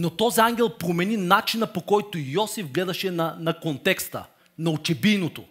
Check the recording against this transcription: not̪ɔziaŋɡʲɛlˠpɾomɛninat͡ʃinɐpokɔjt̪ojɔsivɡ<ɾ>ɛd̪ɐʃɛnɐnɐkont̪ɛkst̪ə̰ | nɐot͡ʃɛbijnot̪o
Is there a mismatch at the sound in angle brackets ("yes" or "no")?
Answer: yes